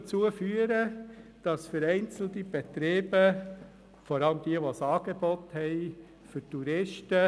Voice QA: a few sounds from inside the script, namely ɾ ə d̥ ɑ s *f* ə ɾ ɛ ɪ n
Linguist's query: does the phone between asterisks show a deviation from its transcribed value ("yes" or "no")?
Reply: no